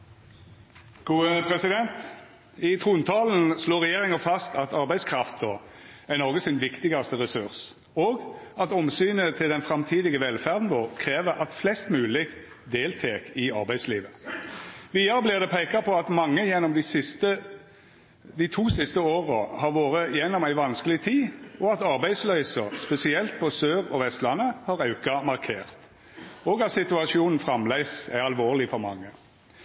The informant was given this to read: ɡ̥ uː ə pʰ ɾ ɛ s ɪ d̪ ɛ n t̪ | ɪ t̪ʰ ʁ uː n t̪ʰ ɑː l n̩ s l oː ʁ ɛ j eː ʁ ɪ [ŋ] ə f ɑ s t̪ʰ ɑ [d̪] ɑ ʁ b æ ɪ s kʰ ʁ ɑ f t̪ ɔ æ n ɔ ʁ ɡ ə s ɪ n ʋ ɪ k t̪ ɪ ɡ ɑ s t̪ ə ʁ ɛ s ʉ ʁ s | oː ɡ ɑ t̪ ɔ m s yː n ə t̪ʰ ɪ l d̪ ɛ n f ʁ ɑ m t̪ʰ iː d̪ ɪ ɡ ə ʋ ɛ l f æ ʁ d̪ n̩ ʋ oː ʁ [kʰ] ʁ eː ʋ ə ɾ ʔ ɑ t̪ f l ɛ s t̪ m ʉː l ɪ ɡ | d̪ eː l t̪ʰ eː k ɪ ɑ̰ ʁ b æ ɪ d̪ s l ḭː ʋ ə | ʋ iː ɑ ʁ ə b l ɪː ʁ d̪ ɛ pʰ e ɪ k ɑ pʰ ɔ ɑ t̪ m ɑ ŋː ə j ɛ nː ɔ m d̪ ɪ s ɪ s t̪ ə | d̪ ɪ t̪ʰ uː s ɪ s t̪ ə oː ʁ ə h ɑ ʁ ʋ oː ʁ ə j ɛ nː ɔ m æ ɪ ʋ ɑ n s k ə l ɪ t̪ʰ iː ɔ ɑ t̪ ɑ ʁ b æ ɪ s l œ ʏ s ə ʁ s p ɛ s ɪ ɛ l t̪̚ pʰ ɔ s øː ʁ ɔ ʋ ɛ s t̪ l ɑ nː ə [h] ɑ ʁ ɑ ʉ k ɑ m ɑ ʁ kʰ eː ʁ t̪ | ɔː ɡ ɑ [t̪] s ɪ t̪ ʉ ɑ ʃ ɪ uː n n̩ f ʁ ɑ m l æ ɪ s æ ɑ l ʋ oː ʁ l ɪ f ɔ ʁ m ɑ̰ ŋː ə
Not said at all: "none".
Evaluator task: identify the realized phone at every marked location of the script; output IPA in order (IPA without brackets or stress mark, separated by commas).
ŋ, t̪, kʰ, h, t̪